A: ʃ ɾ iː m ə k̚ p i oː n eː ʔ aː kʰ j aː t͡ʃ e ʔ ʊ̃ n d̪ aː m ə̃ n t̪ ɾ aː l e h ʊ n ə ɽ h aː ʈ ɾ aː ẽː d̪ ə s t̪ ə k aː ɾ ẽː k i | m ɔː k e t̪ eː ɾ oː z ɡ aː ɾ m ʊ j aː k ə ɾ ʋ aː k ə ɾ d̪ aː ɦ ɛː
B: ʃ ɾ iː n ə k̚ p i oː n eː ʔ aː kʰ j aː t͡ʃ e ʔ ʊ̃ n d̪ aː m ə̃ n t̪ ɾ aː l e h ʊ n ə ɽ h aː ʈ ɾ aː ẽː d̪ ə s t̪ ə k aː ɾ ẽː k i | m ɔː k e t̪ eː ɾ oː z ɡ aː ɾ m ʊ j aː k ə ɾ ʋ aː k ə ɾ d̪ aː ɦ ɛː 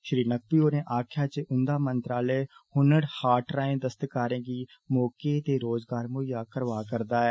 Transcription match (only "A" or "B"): B